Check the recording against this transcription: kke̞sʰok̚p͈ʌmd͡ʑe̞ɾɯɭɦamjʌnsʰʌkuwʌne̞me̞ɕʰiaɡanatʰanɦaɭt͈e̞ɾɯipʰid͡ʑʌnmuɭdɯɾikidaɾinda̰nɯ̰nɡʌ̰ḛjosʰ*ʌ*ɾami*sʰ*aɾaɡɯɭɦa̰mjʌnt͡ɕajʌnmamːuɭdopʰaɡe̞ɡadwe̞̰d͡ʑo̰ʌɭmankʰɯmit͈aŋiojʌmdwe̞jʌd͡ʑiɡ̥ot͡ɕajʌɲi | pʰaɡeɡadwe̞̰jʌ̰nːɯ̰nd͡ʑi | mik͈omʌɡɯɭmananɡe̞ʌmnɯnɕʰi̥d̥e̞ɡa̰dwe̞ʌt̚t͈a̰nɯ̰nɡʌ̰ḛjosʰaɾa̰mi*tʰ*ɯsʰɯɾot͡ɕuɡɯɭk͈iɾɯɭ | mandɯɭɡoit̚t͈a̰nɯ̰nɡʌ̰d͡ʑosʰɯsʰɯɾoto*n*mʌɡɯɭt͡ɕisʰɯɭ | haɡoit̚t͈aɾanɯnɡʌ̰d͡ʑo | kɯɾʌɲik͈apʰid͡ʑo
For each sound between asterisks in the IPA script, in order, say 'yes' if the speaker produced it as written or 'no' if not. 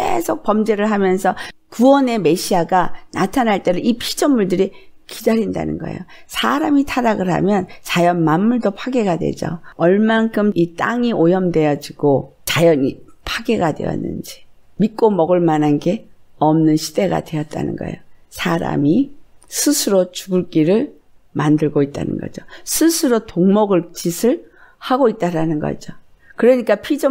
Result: no, no, no, no

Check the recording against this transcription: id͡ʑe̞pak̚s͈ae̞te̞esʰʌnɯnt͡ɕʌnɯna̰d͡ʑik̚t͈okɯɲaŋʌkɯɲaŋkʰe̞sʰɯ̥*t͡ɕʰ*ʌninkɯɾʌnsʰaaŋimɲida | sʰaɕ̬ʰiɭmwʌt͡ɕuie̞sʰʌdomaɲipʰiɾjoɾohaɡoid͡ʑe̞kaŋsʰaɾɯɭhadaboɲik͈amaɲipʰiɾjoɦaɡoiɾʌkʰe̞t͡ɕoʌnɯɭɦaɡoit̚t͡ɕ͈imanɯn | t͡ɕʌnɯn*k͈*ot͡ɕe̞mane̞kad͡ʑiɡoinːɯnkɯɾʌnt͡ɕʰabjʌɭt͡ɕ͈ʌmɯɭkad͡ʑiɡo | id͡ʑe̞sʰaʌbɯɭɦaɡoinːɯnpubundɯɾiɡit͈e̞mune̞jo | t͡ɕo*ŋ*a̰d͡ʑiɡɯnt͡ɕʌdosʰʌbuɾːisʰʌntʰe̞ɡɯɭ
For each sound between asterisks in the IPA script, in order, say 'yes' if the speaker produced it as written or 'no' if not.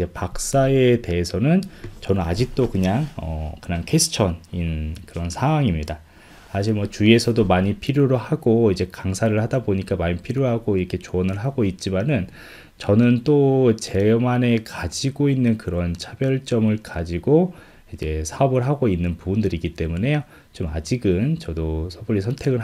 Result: yes, no, no

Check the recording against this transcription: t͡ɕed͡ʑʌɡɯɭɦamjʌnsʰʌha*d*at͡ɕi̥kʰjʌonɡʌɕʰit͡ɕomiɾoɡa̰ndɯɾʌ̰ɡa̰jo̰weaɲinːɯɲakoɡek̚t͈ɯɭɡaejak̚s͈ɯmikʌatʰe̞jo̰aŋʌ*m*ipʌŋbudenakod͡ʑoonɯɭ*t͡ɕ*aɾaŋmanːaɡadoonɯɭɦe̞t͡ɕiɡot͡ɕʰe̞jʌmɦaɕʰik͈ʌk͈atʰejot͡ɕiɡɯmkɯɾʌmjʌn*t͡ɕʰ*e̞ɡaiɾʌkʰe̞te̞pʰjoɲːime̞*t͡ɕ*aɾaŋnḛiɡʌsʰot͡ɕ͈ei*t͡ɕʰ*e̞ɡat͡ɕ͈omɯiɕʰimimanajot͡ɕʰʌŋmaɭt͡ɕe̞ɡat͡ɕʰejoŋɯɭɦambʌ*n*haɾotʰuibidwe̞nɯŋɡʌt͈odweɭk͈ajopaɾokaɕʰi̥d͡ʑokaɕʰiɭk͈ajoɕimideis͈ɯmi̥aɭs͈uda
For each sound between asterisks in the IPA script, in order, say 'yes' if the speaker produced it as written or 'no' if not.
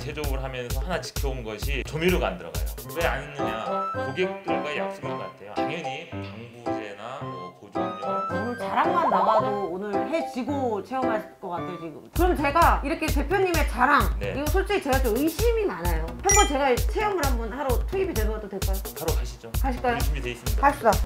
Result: no, no, yes, no, yes, no, yes

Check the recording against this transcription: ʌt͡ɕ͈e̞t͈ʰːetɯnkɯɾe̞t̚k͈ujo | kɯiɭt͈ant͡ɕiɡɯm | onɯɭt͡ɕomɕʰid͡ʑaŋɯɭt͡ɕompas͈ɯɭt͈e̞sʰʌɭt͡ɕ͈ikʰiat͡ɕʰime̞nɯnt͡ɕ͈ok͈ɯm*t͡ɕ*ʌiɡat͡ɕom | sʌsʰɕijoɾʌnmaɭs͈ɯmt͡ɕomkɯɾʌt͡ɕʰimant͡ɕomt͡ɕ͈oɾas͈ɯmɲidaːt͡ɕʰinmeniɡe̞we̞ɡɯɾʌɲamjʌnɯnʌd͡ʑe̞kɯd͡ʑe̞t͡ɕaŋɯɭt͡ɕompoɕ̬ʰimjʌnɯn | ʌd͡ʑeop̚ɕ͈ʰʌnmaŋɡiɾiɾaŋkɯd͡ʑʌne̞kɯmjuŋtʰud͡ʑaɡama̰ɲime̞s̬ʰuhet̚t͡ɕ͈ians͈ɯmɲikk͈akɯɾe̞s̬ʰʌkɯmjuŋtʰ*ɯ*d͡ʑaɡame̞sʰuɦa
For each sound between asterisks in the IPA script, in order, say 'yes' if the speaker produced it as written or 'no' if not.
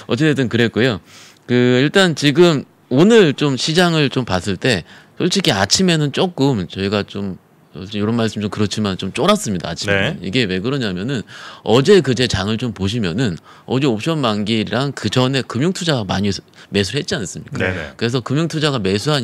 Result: yes, no

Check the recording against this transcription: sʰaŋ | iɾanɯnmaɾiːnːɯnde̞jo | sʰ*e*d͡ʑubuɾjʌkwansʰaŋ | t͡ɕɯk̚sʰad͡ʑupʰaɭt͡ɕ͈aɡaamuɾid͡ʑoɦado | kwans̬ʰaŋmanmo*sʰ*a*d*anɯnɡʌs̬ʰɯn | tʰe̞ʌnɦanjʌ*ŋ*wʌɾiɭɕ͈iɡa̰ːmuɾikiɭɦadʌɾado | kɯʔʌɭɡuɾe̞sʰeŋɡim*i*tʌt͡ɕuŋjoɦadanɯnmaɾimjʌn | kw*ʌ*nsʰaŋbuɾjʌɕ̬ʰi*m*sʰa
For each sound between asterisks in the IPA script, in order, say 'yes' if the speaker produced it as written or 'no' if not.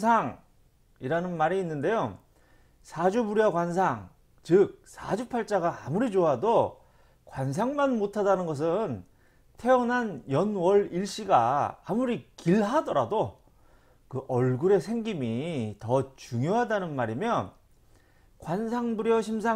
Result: no, no, yes, no, yes, no, yes

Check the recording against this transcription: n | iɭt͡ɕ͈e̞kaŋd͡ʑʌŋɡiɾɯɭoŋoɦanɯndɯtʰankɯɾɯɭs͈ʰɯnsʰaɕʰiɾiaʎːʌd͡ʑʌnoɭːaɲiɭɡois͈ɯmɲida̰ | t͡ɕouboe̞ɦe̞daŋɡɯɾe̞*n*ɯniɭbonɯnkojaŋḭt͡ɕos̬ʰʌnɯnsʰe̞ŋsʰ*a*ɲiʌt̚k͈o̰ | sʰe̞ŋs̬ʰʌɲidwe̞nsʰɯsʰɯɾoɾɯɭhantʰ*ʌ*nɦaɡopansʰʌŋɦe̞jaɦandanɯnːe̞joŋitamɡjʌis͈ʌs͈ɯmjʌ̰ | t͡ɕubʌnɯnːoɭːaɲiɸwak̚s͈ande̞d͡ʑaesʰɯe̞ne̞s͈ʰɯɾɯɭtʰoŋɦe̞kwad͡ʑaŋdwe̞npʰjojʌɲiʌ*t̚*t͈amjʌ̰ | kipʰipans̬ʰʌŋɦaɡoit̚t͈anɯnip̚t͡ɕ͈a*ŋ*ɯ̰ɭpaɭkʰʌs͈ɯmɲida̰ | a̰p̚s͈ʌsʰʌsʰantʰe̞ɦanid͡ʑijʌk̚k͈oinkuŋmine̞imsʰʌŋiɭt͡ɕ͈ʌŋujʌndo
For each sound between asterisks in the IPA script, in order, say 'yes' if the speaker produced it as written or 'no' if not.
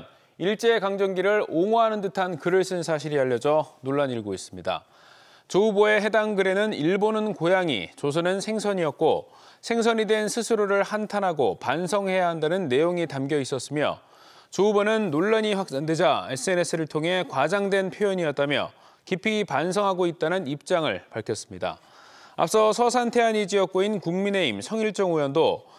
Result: yes, no, no, yes, yes

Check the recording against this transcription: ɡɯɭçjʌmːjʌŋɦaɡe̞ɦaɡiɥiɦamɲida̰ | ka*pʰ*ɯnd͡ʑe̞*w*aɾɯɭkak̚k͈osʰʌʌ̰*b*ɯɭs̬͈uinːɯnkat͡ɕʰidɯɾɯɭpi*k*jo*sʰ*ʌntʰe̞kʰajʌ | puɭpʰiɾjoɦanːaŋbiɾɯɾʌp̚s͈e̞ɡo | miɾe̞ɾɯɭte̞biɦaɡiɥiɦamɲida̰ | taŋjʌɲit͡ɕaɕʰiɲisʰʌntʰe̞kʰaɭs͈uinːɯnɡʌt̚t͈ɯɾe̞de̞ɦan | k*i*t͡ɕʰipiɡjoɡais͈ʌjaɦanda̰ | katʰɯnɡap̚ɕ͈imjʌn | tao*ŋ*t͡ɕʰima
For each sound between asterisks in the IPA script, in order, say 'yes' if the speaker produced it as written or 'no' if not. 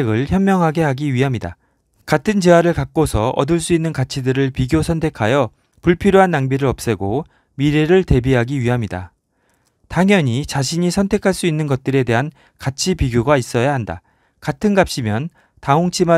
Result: no, yes, no, no, yes, no, yes

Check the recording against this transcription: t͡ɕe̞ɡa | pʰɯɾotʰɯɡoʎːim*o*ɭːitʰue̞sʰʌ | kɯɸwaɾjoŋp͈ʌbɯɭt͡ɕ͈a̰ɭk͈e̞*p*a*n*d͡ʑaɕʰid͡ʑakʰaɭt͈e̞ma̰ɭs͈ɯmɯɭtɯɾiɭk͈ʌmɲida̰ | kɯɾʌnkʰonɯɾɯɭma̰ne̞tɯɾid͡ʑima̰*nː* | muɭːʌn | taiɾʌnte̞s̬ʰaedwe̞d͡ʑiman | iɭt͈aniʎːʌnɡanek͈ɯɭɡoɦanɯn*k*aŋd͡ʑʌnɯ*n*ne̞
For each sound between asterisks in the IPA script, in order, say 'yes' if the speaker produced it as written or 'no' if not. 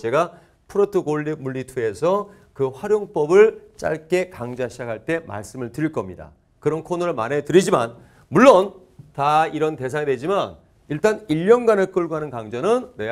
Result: no, no, no, no, yes, yes

